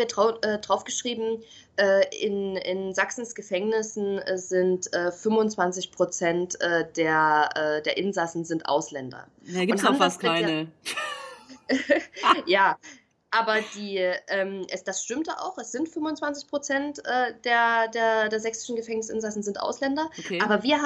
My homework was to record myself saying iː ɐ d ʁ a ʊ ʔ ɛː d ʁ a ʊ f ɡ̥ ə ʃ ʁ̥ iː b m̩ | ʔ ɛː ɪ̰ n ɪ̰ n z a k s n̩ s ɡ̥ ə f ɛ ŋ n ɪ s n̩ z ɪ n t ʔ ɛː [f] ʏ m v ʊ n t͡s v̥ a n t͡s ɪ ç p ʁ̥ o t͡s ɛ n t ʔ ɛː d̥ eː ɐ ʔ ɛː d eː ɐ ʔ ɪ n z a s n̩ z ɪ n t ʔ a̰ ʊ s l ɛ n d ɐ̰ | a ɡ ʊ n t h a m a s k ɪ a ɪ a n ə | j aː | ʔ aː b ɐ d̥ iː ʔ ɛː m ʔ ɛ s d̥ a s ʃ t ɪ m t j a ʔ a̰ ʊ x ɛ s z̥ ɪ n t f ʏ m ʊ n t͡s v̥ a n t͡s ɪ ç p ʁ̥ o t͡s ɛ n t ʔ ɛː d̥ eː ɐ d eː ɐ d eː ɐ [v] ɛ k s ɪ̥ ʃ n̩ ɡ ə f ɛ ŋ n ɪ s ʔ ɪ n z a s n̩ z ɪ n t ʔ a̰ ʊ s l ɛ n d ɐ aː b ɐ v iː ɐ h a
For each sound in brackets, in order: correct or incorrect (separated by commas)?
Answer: correct, incorrect